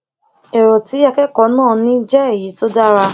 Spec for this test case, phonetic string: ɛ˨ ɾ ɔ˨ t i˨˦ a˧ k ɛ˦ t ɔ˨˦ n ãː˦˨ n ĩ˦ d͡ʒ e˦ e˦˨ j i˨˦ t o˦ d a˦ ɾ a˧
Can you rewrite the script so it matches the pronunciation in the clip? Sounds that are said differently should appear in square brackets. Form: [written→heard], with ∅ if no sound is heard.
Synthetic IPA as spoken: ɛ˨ ɾ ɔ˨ t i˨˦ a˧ k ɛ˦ [t→k] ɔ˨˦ n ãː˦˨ n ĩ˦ d͡ʒ [e˦→ɛ˦] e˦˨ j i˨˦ t o˦ d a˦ ɾ a˧